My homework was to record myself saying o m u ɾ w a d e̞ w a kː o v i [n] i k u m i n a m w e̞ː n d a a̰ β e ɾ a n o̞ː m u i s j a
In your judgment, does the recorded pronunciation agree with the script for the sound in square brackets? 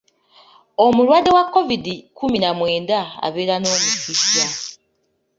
no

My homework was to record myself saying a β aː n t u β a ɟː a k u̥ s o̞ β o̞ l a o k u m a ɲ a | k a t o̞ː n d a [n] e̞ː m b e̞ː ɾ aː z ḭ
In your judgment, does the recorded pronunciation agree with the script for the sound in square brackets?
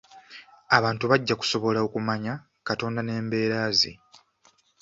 yes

